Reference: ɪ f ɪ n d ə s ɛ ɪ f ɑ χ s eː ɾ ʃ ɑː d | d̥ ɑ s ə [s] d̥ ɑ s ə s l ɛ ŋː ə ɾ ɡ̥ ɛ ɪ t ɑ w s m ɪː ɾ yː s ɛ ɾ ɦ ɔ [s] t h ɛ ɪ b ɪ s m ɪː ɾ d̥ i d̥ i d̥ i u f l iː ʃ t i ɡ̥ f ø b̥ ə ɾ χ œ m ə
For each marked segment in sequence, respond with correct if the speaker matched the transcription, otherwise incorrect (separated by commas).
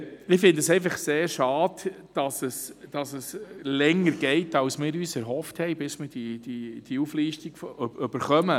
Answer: correct, incorrect